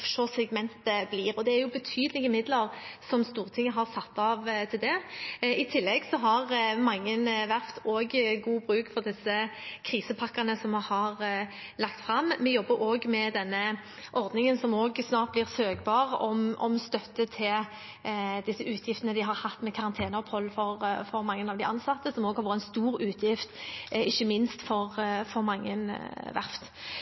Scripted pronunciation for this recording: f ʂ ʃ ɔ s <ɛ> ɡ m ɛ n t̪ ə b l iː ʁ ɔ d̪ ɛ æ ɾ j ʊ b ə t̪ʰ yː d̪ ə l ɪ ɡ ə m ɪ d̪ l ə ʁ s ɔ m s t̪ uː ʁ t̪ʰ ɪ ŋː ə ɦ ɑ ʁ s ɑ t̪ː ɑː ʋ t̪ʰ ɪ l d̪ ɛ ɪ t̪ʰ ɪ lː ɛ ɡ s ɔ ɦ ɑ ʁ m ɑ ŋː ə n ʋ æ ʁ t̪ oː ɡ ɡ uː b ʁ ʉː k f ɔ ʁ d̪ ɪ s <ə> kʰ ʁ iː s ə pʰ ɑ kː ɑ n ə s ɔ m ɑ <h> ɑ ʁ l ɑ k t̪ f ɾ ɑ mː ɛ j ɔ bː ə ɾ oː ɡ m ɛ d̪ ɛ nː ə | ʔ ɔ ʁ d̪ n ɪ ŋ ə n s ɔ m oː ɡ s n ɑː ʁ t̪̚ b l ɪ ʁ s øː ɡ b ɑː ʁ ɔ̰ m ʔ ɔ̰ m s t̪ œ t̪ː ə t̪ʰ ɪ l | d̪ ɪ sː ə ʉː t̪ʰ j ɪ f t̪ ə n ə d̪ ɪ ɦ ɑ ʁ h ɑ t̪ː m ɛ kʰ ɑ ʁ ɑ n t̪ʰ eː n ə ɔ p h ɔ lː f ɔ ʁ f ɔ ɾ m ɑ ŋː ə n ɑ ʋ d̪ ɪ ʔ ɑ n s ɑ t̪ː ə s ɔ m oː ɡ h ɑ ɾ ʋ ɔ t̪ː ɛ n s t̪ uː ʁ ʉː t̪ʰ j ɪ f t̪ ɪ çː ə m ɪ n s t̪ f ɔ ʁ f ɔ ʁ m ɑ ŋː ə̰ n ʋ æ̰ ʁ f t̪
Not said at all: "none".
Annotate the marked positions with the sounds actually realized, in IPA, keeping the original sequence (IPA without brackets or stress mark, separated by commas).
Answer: ɛ, ə, h